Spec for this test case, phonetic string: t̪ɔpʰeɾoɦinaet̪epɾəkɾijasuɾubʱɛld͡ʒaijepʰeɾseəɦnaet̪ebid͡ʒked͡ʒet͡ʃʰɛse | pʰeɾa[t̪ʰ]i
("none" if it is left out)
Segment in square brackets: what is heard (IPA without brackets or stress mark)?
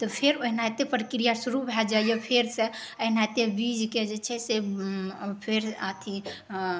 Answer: t̪ʰ